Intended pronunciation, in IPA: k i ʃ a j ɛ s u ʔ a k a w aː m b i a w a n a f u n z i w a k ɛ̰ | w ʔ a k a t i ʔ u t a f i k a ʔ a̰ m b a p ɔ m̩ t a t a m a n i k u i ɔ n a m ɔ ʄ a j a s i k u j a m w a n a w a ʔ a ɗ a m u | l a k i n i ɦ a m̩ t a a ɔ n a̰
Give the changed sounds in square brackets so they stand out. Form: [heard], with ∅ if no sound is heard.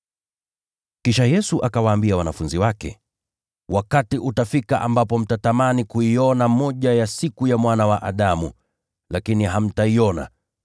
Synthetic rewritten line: k i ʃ a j ɛ s u ʔ a k a w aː m b i a w a n a f u n z i w a k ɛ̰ | w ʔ a k a t i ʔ u t a f i k a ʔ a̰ m b a p ɔ m̩ t a t a m a n i k u i ɔ n a m ɔ ʄ a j a s i k u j a m w a n a w a ʔ a ɗ a m u | l a k i n i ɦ a m̩ t a [i] ɔ n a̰